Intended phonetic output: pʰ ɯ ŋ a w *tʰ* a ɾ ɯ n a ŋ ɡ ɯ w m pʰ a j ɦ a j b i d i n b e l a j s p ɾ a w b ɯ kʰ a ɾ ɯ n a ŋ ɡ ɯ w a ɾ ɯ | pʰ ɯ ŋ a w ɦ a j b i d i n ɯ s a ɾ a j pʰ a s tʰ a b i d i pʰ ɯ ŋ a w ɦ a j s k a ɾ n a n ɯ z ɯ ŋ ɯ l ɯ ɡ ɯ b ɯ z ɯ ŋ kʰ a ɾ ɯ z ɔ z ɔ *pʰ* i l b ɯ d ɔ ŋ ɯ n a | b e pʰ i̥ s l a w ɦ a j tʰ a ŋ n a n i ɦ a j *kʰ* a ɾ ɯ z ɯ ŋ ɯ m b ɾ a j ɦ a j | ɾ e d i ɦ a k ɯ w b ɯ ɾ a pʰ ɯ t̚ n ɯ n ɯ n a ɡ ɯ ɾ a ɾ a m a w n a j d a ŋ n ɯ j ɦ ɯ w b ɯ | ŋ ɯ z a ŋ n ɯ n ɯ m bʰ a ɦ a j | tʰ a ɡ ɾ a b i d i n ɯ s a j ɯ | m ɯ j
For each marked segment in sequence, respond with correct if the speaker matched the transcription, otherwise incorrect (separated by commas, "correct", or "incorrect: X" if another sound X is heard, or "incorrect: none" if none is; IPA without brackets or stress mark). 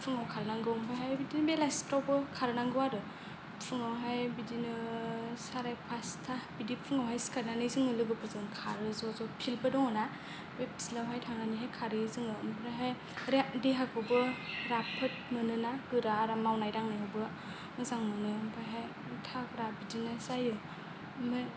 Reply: incorrect: kʰ, correct, correct